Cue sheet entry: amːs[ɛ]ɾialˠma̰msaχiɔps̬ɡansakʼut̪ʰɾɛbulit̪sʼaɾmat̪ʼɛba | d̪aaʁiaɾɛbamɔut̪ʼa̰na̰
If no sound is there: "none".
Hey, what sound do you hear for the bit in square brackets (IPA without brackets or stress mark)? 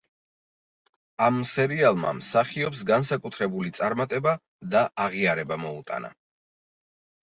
ɛ